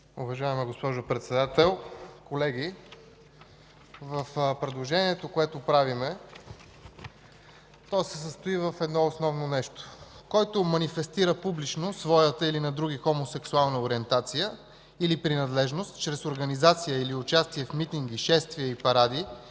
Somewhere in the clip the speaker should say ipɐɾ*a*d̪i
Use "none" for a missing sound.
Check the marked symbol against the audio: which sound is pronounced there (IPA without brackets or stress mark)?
a